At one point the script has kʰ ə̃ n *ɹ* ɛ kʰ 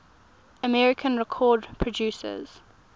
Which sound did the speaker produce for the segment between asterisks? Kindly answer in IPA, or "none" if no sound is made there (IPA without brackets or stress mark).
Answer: ɹ